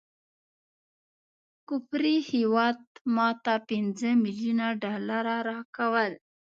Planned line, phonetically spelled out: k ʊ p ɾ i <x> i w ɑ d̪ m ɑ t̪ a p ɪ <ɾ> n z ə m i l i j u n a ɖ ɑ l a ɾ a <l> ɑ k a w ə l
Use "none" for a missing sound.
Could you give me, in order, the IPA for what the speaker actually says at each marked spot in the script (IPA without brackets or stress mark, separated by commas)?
h, none, ɾ